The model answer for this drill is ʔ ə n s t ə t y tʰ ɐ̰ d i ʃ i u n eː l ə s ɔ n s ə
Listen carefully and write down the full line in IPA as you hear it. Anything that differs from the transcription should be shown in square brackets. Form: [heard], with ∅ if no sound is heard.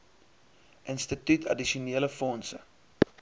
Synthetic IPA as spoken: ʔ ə n s t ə t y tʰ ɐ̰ d i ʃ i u n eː l ə [f] ɔ n s ə